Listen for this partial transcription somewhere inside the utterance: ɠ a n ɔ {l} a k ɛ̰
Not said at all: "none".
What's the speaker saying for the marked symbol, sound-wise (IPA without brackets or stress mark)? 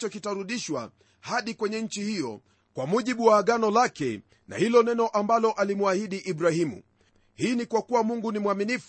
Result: l